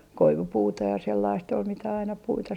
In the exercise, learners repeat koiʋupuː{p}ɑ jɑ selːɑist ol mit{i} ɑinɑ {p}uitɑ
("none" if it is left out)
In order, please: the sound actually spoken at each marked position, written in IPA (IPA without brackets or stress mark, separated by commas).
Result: t, æ, p